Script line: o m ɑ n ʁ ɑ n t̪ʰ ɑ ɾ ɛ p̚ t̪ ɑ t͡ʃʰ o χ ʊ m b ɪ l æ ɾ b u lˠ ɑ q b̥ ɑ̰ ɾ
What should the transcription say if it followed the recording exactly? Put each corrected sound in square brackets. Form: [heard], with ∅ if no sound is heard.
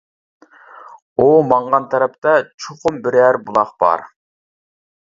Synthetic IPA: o m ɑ [ɴ] ʁ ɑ n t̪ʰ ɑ ɾ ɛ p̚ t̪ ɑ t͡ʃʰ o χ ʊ m b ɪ [ɾ] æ ɾ b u lˠ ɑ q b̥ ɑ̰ ɾ